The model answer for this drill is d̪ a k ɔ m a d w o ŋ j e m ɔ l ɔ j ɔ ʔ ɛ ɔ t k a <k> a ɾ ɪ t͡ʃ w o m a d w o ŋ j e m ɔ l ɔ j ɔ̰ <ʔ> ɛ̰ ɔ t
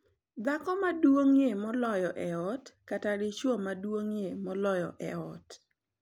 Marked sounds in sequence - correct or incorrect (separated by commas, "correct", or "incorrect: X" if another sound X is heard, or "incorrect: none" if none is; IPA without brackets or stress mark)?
incorrect: t, correct